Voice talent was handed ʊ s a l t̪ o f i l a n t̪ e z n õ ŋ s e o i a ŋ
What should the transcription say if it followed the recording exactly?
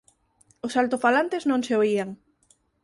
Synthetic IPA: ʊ s a l t̪ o f a l a n t̪ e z n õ ŋ s e o i a ŋ